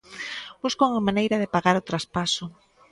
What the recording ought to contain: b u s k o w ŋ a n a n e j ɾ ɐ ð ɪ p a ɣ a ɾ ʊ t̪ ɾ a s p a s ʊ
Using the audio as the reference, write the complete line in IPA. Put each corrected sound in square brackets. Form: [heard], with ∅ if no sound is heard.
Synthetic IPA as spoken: b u s k o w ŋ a [m] a n e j ɾ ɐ ð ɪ p a ɣ a ɾ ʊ t̪ ɾ a s p a s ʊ